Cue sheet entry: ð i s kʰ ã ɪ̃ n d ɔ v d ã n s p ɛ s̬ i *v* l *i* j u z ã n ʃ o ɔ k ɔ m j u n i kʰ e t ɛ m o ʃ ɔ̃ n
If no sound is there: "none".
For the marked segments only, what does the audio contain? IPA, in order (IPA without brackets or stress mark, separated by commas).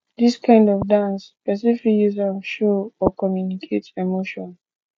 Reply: f, i